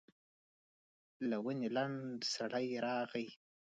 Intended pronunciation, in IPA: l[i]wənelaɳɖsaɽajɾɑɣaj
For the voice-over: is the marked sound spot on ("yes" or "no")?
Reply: no